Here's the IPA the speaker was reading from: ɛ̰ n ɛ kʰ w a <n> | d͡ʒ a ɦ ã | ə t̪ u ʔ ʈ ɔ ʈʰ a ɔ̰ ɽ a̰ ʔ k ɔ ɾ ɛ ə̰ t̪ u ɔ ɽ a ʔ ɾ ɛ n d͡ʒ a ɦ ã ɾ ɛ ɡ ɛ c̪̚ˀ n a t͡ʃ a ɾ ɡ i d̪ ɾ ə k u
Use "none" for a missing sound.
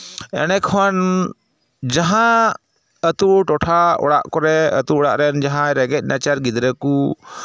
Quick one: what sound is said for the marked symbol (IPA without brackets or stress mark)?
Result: n